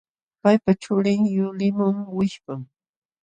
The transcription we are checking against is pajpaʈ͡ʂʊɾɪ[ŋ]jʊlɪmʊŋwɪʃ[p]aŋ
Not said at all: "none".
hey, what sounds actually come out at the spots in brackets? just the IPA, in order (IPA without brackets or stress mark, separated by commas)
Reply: ŋ, p